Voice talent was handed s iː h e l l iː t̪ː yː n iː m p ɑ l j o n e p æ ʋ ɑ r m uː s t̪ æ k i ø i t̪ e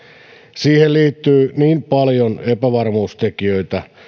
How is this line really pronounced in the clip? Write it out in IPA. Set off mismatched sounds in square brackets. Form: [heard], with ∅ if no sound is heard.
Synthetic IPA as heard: s iː h e l l iː t̪ː yː n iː m p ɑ l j o n e p æ ʋ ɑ r m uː s t̪ [e] k i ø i t̪ [æ]